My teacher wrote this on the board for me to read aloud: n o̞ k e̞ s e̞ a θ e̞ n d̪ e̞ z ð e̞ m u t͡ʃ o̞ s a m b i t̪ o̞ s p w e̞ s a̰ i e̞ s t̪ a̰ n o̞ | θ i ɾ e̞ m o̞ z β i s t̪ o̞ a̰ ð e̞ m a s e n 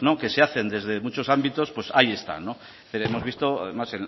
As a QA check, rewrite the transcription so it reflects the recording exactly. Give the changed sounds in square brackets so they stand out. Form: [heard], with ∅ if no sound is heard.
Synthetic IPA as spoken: n o̞ k e̞ s e̞ a θ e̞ n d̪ e̞ z ð e̞ m u t͡ʃ o̞ s a m b i t̪ o̞ s p w e̞ s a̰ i e̞ s t̪ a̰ n o̞ | θ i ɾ e̞ m o̞ z β i s t̪ o̞ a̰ ð e̞ m a s e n